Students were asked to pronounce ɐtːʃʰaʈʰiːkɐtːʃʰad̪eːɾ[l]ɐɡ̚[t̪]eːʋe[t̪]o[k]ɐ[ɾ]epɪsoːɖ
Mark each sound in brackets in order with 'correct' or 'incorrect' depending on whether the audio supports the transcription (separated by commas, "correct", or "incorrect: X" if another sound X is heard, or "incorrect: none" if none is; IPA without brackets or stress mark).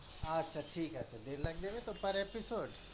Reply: correct, incorrect: d̪, correct, incorrect: p, correct